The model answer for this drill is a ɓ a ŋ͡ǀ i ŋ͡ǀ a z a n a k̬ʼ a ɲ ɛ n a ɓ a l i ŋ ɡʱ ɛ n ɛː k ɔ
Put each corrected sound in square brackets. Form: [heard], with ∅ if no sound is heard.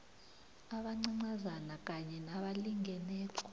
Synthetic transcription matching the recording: a ɓ a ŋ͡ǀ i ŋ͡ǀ a z a n a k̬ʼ a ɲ ɛ n a ɓ a l i ŋ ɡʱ ɛ n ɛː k ɔ